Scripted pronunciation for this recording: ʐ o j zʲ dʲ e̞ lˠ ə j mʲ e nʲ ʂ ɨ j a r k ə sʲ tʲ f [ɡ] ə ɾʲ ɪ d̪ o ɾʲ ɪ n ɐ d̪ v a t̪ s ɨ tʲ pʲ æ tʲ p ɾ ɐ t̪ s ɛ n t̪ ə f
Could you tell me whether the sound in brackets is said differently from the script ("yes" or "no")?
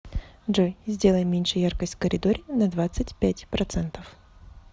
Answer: yes